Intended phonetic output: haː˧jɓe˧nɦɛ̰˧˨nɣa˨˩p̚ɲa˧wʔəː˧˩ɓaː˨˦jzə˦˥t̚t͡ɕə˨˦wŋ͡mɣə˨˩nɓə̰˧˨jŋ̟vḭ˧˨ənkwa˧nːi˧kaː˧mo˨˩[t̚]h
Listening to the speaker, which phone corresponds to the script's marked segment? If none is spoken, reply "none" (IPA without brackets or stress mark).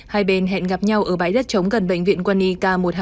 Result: t̚